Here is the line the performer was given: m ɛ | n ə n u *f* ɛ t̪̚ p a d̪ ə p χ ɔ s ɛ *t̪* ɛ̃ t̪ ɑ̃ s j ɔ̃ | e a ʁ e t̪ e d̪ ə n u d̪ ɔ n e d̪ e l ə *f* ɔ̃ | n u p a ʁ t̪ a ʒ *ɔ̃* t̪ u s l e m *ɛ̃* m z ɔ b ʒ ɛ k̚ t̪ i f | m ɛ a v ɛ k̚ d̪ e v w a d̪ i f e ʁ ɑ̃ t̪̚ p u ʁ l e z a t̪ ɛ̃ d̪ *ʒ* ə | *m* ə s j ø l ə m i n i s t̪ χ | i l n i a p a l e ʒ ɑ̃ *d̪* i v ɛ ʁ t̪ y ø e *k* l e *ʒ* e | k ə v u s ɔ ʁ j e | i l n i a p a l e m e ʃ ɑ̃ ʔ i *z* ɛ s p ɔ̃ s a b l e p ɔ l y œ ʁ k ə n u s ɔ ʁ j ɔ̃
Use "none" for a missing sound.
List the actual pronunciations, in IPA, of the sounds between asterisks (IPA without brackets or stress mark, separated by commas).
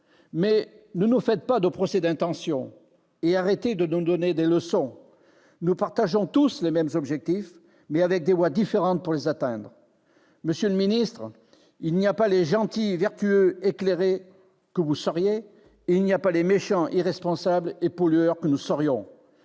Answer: f, d̪, s, ɔ̃, ɛ, ʁ, m, t̪, k, ʁ, ʁ